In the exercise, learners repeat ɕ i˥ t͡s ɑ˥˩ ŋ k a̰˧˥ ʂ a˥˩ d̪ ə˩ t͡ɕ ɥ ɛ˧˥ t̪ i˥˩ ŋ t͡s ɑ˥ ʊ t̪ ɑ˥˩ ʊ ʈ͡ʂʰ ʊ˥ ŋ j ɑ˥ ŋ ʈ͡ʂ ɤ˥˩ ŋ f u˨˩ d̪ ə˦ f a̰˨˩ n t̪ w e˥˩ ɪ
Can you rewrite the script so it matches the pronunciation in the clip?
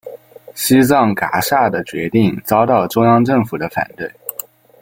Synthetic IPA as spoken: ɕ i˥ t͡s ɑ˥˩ ŋ k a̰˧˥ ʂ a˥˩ d̪ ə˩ t͡ɕ ɥ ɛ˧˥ t̪ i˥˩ ŋ t͡s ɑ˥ ʊ t̪ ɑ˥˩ ʊ ʈ͡ʂ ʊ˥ ŋ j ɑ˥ ŋ ʈ͡ʂ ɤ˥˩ ŋ f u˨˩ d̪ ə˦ f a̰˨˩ n t̪ w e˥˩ ɪ